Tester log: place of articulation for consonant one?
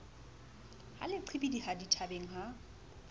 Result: glottal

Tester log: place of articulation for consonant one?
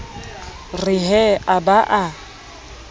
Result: alveolar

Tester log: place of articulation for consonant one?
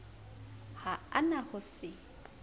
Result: glottal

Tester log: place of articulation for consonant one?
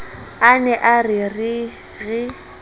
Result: alveolar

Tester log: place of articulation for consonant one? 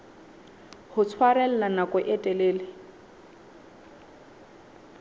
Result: glottal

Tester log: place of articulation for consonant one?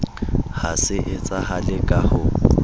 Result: glottal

